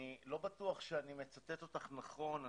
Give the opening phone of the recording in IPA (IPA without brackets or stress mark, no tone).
i